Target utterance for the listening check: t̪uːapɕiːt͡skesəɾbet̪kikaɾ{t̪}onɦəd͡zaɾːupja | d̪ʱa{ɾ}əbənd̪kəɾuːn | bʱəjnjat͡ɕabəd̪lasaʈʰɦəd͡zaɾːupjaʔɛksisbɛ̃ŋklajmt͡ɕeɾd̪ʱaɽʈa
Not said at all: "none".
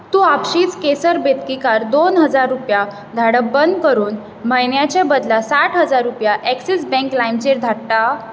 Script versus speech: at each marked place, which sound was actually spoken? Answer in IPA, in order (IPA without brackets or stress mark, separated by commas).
d̪, ɽ